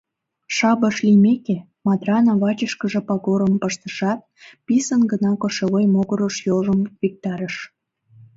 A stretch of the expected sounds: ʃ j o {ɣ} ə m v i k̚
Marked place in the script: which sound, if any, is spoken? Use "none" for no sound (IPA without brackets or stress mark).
ʒ